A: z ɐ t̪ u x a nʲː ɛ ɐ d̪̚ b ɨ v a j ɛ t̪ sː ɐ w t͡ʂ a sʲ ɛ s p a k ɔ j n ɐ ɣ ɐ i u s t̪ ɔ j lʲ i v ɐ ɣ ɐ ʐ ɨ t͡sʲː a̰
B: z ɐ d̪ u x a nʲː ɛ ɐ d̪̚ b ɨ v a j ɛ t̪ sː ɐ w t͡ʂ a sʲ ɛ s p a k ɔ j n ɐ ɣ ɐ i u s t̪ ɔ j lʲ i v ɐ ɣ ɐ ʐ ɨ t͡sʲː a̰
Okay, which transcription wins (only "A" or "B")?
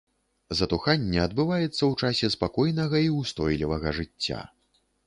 A